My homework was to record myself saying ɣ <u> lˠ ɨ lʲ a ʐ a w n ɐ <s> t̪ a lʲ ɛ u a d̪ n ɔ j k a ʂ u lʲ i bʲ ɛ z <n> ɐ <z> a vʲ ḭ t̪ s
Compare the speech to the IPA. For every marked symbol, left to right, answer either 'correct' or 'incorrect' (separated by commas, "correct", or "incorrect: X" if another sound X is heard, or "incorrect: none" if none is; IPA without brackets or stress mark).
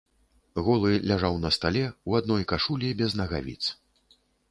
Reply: incorrect: ɔ, correct, correct, incorrect: ɣ